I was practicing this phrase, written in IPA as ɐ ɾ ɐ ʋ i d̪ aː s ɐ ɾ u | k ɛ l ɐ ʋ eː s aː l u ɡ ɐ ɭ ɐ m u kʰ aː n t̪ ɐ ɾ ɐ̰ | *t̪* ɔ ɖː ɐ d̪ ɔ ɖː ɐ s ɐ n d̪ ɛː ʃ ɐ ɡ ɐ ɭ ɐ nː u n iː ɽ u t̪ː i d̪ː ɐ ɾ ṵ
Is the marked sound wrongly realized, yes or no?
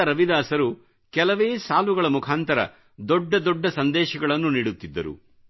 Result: yes